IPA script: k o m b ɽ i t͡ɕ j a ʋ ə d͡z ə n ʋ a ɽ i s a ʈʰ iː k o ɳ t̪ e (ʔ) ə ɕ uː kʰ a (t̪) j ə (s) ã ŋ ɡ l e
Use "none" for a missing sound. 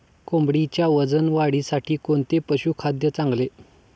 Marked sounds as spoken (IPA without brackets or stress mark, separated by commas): p, d̪, t͡s